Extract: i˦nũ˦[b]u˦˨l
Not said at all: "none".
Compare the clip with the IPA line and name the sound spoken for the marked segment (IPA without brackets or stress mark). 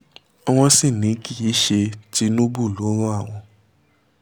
b